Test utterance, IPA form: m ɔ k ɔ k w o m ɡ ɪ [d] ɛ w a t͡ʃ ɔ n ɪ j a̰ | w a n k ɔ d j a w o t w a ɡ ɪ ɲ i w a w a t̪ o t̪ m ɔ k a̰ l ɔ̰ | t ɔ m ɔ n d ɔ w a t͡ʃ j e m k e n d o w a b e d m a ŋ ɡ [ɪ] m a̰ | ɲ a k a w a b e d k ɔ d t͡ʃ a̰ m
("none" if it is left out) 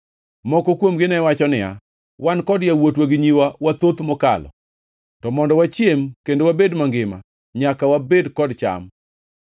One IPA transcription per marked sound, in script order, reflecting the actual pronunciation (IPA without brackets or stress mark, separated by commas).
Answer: n, ɪ